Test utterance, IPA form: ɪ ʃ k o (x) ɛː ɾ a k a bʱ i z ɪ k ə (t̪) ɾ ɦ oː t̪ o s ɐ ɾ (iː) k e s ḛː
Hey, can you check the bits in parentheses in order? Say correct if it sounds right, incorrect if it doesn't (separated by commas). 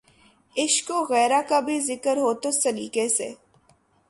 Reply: incorrect, incorrect, correct